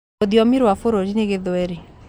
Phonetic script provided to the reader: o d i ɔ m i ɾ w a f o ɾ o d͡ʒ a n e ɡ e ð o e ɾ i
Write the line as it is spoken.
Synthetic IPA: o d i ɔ m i ɾ w a f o ɾ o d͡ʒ i n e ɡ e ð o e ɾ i